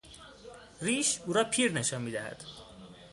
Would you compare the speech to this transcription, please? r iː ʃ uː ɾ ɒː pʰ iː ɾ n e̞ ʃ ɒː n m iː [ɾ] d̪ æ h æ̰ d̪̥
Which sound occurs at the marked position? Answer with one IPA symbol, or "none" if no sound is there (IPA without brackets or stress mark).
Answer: none